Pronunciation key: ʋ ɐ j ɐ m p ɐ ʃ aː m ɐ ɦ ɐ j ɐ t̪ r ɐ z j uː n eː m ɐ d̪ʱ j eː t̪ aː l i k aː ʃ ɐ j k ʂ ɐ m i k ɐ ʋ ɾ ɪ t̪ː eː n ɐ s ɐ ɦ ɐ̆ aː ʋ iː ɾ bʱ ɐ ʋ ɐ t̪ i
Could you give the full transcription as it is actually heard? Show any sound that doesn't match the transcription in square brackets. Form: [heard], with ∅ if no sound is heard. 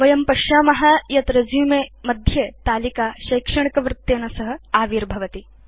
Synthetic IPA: ʋ ɐ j ɐ m p ɐ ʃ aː m ɐ ɦ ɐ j ɐ t̪ [ɾ] ɐ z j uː [m] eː m ɐ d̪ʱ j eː t̪ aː l i k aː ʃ ɐ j k ʂ ɐ [ɳ] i k ɐ ʋ ɾ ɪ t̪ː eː n ɐ s ɐ ɦ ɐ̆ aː ʋ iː ɾ bʱ ɐ ʋ ɐ t̪ i